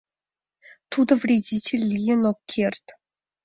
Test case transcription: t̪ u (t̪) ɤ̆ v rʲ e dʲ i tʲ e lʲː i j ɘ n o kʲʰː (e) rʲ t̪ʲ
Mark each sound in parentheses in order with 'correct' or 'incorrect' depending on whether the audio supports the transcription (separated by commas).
incorrect, correct